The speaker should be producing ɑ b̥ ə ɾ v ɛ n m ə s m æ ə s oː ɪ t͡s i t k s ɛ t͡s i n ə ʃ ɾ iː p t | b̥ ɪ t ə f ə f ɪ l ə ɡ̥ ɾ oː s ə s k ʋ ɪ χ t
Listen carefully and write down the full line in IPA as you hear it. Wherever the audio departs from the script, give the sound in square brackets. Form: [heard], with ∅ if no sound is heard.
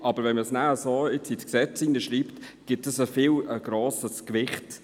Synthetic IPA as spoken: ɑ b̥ ə ɾ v ɛ n m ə s [n] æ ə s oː ɪ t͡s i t k s ɛ t͡s i n ə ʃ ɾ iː p t | [ɡ̥] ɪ t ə [s] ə f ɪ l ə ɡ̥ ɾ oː s ə s k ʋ ɪ χ t

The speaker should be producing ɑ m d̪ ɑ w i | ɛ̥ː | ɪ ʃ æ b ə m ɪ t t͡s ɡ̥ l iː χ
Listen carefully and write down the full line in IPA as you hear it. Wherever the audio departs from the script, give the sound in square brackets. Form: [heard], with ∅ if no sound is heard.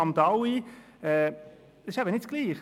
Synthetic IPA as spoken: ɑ m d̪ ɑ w i | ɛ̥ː | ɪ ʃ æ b ə [n] ɪ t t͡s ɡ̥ l iː χ

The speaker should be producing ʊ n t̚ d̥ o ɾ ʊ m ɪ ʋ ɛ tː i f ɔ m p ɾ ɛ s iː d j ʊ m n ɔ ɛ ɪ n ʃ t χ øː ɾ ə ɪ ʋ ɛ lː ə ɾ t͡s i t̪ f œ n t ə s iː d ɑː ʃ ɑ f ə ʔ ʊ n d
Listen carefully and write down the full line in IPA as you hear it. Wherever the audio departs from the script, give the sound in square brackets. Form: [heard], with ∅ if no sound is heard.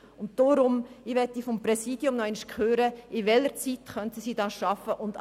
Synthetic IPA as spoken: ʊ n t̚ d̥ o ɾ ʊ m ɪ ʋ ɛ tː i f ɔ m p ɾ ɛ s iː d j ʊ m n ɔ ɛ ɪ n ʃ [k] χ øː ɾ ə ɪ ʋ ɛ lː ə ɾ t͡s i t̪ [χ] œ n t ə s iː d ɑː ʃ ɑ f ə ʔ ʊ n d

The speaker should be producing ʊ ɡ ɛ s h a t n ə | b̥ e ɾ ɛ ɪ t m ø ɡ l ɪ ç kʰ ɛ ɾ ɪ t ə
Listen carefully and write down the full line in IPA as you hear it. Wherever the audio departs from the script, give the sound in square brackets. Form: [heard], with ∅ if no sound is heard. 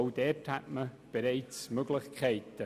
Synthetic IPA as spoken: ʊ [d] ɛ [t] h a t [m] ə | b̥ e ɾ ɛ ɪ [t͡s] m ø ɡ l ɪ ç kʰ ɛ [∅] ɪ t ə

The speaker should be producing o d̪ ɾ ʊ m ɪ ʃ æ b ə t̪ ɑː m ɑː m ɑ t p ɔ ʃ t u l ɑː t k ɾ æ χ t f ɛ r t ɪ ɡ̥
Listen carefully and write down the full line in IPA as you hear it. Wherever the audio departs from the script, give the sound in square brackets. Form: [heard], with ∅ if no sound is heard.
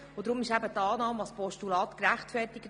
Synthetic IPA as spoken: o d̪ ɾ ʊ m ɪ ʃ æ b ə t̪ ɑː [n] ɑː m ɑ [s] p ɔ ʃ t u l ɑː t k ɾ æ χ t f ɛ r t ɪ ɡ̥

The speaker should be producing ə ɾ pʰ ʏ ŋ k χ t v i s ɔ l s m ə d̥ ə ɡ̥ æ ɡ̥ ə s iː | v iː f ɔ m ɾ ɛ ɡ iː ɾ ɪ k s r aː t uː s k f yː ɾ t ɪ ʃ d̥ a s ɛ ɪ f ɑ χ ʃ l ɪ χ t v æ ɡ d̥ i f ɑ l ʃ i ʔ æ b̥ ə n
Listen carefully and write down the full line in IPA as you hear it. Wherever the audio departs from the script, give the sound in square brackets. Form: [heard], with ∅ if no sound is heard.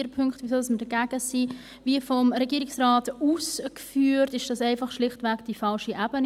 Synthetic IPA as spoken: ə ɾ pʰ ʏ ŋ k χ t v i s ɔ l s m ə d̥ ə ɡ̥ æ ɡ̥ ə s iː | v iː f ɔ m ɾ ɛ ɡ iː ɾ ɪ k s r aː t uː s k f yː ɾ t ɪ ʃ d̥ [ɑ] s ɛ ɪ f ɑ χ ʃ l ɪ χ t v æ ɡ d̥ i f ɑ l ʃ i ʔ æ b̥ ə n

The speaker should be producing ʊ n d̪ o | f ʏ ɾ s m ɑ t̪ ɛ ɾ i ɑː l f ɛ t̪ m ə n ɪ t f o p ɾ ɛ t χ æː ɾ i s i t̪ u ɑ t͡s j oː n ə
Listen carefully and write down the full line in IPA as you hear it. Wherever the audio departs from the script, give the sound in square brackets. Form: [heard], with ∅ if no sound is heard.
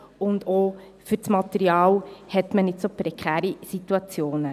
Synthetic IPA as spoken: ʊ n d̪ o | f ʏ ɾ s m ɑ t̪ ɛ ɾ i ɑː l [h] ɛ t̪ m ə n ɪ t [s] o p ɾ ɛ [k] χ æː ɾ i s i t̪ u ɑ t͡s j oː n ə

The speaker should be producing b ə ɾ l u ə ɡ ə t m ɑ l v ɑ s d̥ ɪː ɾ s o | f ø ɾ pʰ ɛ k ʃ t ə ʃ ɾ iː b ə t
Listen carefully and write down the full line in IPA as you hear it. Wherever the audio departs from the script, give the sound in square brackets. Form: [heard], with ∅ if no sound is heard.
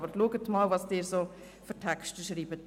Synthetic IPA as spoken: b ə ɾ l u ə ɡ ə t m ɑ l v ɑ s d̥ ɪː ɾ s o | f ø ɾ [tʰ] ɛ k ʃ t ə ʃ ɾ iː b ə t

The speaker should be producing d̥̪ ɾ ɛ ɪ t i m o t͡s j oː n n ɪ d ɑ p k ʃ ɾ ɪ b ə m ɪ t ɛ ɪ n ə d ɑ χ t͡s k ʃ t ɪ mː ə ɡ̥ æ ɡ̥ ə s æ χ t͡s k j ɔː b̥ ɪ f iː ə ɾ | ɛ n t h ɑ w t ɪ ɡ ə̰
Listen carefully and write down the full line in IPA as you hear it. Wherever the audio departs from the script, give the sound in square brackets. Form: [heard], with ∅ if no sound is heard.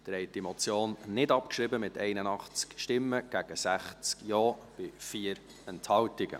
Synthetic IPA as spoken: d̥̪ ɾ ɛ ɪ t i m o t͡s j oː n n ɪ d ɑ p k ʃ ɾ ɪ b ə m ɪ t ɛ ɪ n ə [n] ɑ χ t͡s k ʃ t ɪ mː ə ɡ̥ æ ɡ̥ ə s æ χ t͡s k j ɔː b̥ ɪ f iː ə ɾ | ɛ n t h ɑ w t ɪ ɡ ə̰

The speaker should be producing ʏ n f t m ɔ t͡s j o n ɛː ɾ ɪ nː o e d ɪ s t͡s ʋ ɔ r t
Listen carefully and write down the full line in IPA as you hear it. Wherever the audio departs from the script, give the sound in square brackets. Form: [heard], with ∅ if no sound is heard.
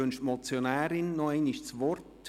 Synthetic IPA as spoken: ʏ n [ʃ] t m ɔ t͡s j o n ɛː ɾ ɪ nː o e [n] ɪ [ʃ] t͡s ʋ ɔ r t

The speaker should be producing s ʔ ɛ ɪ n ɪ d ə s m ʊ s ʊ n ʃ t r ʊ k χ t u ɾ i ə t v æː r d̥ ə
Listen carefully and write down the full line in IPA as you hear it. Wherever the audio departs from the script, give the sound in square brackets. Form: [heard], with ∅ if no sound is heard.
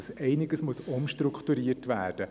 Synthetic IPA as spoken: s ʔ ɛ ɪ n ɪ [ɡ] ə s m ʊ s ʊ [m] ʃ t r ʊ k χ t u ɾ i ə t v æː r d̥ ə

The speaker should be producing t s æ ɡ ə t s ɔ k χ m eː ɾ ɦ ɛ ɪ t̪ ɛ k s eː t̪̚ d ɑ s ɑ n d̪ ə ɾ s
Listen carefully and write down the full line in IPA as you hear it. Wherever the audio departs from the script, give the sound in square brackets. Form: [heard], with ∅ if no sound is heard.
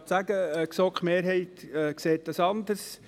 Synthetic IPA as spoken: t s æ ɡ ə [k] s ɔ k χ m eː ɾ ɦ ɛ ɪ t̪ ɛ k s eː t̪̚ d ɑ s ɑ n d̪ ə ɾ s

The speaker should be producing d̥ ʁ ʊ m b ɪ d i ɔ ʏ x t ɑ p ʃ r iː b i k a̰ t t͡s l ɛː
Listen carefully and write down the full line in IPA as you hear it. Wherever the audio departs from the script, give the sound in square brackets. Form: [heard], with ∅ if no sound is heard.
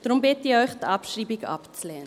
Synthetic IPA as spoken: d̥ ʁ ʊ m b ɪ [t] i ɔ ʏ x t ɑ p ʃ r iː b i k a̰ [p] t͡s l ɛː

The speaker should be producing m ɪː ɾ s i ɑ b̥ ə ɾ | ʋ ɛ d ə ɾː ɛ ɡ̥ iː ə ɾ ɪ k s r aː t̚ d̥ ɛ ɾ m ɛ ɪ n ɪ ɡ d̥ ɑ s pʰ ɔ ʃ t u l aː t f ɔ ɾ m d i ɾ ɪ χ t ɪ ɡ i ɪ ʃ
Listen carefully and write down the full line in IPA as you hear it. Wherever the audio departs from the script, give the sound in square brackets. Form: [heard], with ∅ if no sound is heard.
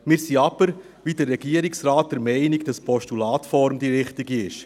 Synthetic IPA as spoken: m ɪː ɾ s i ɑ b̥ ə ɾ | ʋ [i] d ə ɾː ɛ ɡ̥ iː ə ɾ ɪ k s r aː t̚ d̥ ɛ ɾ m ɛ ɪ n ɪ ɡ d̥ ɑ s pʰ ɔ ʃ t u l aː t f ɔ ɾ m d i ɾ ɪ χ t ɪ ɡ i ɪ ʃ

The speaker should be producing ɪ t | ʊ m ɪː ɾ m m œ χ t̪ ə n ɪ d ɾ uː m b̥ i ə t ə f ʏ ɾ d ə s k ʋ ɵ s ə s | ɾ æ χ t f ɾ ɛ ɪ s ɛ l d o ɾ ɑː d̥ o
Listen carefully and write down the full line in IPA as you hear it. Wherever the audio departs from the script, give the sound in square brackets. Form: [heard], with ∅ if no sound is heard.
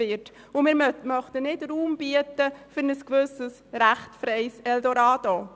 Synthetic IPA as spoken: ɪ t | ʊ m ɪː ɾ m m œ χ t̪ ə n ɪ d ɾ uː m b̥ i ə t ə f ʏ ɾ [n] ə s k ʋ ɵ s ə s | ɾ æ χ t f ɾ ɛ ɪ s ɛ l d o ɾ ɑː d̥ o

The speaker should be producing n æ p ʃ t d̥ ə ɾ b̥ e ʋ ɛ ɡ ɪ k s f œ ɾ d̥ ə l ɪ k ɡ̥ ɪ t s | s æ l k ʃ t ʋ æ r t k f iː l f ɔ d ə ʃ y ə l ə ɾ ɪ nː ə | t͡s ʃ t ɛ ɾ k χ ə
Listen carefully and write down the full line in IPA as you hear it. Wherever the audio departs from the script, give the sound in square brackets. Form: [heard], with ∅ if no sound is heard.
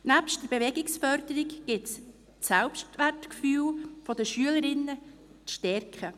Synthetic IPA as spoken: n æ p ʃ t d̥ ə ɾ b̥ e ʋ ɛ ɡ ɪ k s f œ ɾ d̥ ə [ɾ] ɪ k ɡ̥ ɪ t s | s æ l [p] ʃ t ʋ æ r t k f [yː] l f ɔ d ə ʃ y ə l ə ɾ ɪ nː ə | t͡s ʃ t ɛ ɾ k χ ə

